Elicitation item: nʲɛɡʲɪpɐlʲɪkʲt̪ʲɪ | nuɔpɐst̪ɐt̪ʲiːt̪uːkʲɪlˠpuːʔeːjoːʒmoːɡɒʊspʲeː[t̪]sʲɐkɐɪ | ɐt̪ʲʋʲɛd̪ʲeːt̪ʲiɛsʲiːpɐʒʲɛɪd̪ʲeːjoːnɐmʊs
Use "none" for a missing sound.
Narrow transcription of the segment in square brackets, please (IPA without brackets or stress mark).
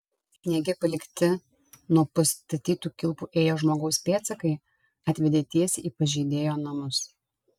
t̪